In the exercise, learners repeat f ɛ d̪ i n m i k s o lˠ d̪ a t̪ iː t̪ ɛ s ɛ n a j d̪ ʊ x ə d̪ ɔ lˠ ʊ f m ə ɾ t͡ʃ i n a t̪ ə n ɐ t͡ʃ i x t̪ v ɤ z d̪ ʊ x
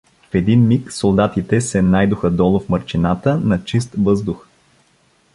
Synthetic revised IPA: f ɛ d̪ i n m i k s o lˠ d̪ a t̪ i t̪ ɛ s ɛ n a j d̪ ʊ x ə d̪ ɔ lˠ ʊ f m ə ɾ t͡ʃ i n a t̪ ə n ɐ t͡ʃ i s t̪ v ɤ z d̪ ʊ x